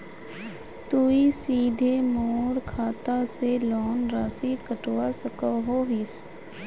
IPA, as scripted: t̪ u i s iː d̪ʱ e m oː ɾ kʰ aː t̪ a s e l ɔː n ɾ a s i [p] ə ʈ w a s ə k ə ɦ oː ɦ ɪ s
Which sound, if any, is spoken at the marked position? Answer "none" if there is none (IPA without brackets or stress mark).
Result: k